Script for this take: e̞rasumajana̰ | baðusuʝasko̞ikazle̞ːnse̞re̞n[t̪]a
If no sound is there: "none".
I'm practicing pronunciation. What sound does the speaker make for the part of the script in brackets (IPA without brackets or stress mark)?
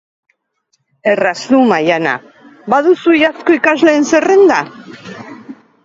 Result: d̪